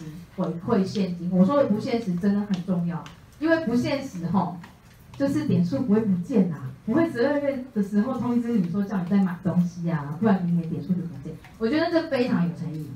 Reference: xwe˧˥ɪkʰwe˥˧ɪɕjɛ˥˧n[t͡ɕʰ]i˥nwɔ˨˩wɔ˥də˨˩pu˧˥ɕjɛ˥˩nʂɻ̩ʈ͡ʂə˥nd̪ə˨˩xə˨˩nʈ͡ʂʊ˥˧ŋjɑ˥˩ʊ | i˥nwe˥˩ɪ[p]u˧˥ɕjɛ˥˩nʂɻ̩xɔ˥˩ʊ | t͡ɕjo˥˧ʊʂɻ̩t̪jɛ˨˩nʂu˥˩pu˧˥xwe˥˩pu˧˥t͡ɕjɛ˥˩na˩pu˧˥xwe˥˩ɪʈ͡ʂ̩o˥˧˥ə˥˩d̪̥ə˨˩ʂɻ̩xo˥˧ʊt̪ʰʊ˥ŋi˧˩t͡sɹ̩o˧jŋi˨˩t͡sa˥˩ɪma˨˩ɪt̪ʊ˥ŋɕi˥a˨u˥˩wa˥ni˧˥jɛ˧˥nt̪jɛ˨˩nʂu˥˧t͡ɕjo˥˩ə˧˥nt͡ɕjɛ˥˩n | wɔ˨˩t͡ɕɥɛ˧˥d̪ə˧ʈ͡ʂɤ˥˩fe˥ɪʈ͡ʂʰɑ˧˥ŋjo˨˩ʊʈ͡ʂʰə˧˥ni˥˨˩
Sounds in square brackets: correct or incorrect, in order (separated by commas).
incorrect, correct